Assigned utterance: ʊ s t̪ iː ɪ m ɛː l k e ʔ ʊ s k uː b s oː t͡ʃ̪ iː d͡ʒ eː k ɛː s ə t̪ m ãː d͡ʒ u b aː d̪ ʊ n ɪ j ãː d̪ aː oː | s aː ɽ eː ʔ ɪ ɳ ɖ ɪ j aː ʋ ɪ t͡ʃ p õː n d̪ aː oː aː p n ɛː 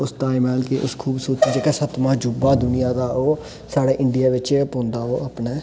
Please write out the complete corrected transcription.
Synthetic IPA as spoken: ʊ s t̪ aː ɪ m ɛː l k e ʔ ʊ s kʰ uː b s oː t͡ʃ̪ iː d͡ʒ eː k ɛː s ə t̪ m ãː d͡ʒ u b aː d̪ ʊ n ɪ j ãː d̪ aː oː | s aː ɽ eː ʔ ɪ ɳ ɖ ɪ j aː ʋ ɪ t͡ʃ p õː n d̪ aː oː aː p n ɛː

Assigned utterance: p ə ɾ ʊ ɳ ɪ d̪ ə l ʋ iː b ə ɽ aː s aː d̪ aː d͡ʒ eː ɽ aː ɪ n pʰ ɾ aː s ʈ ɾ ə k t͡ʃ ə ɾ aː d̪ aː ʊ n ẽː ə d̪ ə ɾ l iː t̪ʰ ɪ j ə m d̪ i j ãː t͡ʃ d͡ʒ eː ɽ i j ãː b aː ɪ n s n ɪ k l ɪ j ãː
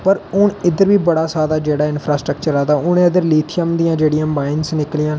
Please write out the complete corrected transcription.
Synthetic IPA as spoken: p ə ɾ ʊ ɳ ɪ d̪ ə ɾ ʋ iː b ə ɽ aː s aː d̪ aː d͡ʒ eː ɽ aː ɪ n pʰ ɾ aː s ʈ ɾ ə k t͡ʃ ə ɾ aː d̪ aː ʊ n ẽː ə d̪ ə ɾ l iː t̪ʰ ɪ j ə m d̪ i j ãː d͡ʒ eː ɽ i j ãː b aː ɪ n s n ɪ k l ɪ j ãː

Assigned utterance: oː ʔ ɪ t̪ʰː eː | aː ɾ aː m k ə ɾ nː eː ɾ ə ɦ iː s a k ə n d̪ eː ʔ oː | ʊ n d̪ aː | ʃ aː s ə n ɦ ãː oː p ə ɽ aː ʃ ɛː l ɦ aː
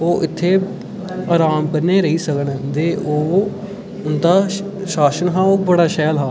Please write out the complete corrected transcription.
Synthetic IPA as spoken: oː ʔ ɪ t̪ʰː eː | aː ɾ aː m k ə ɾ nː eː ɾ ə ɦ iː s ə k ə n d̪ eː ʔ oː | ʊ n d̪ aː | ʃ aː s ə n ɦ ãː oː b ə ɽ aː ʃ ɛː l ɦ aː

